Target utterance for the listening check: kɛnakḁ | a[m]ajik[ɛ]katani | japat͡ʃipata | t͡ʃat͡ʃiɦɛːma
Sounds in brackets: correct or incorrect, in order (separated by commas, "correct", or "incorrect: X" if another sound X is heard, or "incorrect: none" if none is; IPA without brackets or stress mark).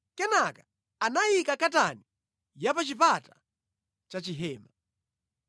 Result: incorrect: n, incorrect: a